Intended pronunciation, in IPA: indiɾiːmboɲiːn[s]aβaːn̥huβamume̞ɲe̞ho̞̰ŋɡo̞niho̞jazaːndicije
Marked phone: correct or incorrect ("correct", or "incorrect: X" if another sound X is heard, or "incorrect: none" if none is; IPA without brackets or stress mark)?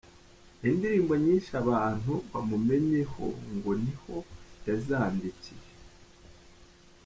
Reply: incorrect: ʃ